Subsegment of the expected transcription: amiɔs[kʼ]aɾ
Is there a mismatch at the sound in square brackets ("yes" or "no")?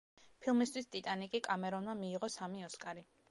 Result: no